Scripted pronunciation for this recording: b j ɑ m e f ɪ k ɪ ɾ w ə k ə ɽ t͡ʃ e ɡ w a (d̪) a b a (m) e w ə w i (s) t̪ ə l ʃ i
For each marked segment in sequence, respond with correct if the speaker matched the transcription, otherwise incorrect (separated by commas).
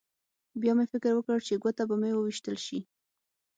incorrect, correct, incorrect